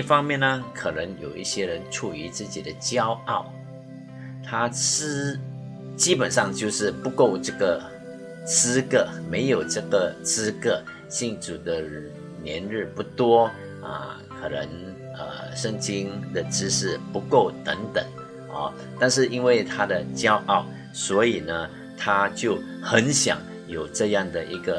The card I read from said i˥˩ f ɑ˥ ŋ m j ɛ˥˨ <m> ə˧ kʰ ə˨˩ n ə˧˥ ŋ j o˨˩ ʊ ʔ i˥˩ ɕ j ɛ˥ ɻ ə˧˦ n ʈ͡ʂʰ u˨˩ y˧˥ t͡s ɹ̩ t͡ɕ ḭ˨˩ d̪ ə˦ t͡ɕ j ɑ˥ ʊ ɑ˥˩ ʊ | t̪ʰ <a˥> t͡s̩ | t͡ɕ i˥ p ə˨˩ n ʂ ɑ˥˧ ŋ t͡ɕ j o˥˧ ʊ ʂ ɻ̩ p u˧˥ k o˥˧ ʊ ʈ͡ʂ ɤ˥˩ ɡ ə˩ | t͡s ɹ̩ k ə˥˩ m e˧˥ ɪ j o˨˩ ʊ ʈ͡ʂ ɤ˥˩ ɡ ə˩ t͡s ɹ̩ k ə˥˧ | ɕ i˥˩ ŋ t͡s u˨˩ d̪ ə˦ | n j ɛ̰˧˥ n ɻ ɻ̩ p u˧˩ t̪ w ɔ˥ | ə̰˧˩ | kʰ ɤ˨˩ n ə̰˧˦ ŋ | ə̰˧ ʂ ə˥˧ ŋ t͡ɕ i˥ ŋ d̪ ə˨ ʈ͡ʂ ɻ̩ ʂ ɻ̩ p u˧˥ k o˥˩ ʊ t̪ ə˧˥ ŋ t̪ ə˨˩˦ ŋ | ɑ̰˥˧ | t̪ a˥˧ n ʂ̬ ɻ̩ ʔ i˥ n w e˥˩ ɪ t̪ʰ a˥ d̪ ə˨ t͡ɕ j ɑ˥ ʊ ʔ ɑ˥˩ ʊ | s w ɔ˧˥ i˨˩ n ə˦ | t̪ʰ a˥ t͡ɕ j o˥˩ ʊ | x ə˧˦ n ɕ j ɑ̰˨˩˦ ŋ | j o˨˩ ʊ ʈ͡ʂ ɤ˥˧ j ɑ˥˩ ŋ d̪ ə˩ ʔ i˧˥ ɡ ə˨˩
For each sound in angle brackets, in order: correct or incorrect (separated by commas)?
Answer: incorrect, correct